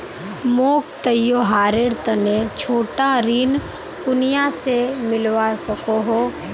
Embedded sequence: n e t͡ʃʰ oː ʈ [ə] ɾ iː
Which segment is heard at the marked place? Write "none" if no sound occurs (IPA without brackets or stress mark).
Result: a